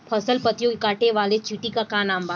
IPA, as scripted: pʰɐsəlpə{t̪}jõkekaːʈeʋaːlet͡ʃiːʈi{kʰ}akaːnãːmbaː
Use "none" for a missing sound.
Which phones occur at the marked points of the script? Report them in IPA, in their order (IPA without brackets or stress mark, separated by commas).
t̪, k